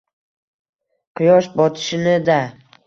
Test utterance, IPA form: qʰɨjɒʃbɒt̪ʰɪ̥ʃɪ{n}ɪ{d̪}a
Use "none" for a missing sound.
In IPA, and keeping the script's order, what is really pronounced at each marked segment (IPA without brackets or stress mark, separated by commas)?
n, d̪